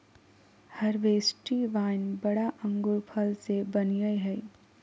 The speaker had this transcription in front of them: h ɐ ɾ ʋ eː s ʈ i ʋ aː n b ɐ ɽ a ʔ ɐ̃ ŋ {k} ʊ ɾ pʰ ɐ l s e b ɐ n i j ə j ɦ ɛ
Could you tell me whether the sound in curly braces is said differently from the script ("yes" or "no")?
yes